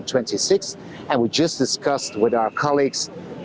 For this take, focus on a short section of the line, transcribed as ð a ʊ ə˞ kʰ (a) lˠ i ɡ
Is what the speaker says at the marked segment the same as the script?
no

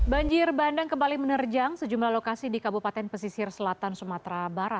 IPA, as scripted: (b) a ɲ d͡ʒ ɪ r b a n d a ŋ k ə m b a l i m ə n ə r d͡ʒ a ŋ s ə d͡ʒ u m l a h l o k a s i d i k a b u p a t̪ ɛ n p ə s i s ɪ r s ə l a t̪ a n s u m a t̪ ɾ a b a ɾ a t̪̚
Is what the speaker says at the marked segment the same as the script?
yes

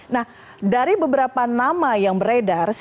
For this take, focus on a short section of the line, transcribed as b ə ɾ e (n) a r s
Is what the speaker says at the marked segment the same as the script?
no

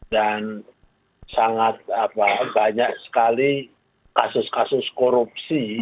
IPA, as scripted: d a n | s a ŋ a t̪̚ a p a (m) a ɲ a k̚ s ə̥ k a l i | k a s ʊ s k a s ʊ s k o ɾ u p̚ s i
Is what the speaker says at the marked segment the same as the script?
no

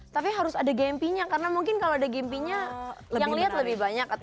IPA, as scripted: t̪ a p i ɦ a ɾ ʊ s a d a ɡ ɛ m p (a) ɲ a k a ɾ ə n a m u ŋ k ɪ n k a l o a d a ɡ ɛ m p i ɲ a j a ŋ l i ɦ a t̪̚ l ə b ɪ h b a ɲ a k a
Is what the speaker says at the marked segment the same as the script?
no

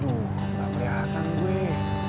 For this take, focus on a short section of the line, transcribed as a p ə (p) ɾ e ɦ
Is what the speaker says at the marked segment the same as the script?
no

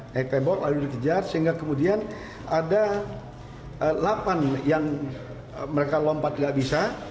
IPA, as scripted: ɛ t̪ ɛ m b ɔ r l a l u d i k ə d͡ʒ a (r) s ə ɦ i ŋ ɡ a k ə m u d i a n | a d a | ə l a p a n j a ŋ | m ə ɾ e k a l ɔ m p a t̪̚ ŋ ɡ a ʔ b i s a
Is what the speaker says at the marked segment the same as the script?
yes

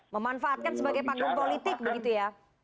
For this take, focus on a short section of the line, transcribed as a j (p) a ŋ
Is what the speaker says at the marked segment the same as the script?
yes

